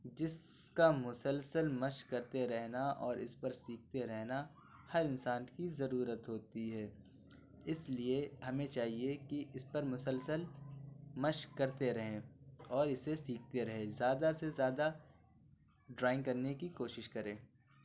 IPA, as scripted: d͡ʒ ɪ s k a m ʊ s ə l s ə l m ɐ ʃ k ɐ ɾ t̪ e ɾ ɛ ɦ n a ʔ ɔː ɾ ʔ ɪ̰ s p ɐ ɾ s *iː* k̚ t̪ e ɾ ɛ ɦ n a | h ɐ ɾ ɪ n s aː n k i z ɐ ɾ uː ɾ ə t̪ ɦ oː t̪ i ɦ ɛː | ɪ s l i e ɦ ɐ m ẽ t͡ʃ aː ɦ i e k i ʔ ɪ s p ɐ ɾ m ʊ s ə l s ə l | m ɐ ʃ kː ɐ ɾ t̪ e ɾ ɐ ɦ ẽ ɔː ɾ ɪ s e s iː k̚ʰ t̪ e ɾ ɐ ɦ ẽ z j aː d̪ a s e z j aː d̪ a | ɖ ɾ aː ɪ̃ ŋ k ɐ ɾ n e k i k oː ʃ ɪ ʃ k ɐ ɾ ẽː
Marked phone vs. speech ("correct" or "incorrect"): correct